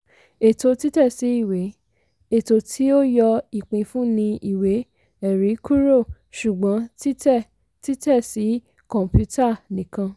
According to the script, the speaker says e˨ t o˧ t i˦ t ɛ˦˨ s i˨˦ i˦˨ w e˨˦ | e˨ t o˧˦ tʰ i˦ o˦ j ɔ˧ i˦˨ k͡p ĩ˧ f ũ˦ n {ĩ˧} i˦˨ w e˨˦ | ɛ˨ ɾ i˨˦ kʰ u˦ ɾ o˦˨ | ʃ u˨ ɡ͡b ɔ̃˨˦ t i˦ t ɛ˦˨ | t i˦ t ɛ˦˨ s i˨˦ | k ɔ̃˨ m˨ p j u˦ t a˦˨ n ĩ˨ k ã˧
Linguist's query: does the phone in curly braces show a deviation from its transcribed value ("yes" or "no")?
no